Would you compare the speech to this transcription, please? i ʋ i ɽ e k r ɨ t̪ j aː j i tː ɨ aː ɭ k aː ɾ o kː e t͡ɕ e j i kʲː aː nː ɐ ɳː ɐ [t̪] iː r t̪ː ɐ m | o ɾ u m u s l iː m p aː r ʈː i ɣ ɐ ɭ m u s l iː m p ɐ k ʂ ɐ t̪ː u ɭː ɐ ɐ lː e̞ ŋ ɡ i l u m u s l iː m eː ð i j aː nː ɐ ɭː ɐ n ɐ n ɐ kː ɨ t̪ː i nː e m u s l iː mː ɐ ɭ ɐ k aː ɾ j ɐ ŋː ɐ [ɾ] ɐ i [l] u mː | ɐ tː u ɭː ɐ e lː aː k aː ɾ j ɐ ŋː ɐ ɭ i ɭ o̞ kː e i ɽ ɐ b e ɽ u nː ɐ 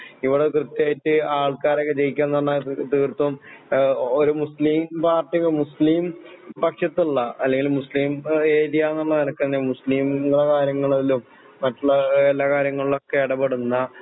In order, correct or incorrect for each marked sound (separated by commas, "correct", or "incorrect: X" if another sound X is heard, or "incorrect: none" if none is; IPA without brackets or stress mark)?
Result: correct, incorrect: ɭ, correct